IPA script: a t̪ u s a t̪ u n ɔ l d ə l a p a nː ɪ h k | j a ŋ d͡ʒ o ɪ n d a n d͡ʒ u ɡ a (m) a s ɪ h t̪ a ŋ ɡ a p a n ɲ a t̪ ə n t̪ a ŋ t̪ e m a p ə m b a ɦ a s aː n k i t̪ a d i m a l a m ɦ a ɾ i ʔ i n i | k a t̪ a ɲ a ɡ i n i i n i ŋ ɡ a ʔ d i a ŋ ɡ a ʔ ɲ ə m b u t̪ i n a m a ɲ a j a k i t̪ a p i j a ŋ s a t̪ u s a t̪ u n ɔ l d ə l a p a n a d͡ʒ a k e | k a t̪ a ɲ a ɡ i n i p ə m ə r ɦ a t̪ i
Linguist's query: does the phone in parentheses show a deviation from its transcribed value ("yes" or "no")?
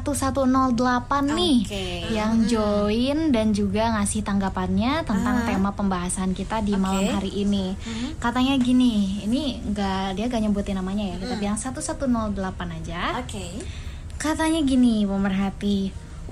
yes